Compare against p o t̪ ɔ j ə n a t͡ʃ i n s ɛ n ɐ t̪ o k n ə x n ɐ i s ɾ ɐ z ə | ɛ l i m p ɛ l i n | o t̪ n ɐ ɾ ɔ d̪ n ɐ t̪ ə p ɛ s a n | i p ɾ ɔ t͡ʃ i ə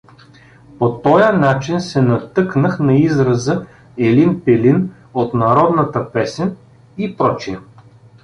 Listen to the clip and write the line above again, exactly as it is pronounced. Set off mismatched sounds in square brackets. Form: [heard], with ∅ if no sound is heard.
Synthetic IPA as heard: p o t̪ ɔ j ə n a t͡ʃ i n s ɛ n ɐ t̪ [ɤ] k n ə x n ɐ i [z] ɾ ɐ z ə | ɛ l i [n] p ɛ l i n | o t̪ n ɐ ɾ ɔ d̪ n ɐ t̪ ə p ɛ s [ɛ] n | i p ɾ ɔ t͡ʃ i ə